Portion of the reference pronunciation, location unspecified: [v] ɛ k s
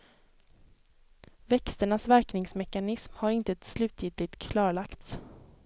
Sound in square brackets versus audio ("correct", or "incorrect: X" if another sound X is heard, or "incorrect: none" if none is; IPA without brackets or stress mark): correct